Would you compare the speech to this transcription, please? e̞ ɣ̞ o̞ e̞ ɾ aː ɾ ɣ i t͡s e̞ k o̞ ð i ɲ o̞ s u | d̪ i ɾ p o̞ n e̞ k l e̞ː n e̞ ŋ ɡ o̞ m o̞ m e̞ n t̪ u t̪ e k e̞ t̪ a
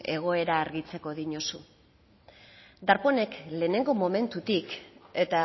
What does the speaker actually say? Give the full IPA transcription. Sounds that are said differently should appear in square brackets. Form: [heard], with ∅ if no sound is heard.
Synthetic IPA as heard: e̞ ɣ̞ o̞ e̞ ɾ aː ɾ ɣ i t͡s e̞ k o̞ ð i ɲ o̞ s u | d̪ [a] ɾ p o̞ n e̞ k l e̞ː n e̞ ŋ ɡ o̞ m o̞ m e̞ n t̪ u t̪ [i] k e̞ t̪ a